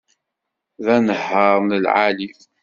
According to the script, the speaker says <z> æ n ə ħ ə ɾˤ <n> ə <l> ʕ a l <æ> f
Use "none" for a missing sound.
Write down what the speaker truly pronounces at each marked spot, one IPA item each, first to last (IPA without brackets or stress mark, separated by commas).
ð, n, l, i